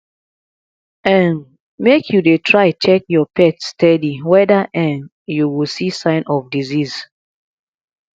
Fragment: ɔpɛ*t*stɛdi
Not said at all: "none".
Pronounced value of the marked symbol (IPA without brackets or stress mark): t